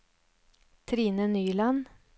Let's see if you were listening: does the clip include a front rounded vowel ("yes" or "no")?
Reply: yes